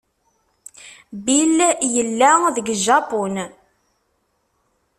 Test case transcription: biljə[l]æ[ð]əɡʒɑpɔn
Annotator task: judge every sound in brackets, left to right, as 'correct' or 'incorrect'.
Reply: incorrect: lː, correct

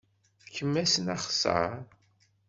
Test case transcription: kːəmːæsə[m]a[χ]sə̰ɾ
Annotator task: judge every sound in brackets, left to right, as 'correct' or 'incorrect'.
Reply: incorrect: n, correct

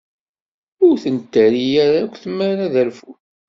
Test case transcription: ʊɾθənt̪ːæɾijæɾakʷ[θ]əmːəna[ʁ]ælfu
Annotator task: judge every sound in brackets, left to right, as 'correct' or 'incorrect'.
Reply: correct, incorrect: ð

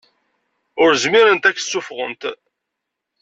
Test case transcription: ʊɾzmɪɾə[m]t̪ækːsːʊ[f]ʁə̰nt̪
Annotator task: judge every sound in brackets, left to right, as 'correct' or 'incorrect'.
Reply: incorrect: n, correct

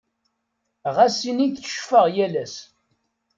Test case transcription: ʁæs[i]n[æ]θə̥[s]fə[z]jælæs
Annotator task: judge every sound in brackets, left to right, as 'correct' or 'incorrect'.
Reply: correct, incorrect: i, incorrect: ʃ, incorrect: ʁ

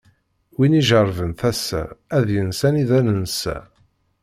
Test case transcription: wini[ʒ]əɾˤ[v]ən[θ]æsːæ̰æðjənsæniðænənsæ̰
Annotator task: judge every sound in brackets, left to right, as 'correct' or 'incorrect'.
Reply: correct, correct, correct

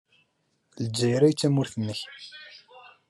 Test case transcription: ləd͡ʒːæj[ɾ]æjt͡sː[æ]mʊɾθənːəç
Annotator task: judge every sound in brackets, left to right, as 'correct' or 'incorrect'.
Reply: correct, correct

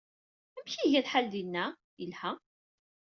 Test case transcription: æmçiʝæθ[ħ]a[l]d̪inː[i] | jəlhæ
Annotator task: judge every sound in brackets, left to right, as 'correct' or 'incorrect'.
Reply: correct, correct, incorrect: æ

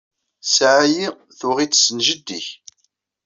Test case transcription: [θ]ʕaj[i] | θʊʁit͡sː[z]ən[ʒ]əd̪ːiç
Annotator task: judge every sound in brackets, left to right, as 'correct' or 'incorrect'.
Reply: incorrect: s, correct, incorrect: s, correct

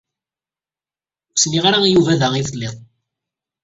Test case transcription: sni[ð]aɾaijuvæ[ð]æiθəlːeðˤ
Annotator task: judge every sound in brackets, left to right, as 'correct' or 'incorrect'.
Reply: incorrect: ʁ, correct

